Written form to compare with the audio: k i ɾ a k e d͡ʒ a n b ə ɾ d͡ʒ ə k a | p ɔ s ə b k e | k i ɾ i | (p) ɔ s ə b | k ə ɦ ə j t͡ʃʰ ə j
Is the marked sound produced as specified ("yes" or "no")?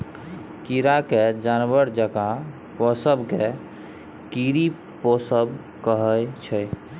yes